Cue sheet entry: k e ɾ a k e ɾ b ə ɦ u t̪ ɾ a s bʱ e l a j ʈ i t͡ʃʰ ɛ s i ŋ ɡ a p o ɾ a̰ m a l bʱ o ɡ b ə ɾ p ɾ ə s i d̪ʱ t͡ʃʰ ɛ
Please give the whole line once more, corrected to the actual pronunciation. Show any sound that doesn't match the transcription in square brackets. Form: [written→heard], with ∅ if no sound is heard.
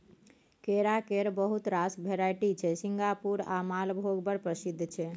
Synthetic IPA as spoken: k e ɾ a k e ɾ b ə ɦ u t̪ ɾ a s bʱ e [l→ɾ] a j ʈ i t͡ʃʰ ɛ s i ŋ ɡ a p [o→u] ɾ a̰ m a l bʱ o ɡ b ə ɾ p ɾ ə s i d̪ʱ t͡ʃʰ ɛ